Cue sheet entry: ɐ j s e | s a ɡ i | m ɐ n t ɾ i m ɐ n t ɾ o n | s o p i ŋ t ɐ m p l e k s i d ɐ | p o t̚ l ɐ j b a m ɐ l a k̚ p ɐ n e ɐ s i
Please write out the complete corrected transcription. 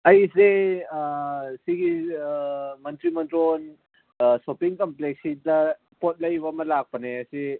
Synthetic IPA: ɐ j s e | s i ɡ i | m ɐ n t ɾ i m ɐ n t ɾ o n | s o p i ŋ k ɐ m p l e k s i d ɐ | p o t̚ l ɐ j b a m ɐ l a k̚ p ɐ n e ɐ s i